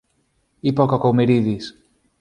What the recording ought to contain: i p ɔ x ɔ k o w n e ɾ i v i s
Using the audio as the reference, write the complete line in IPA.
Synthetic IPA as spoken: i p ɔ k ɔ k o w m e ɾ i ð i s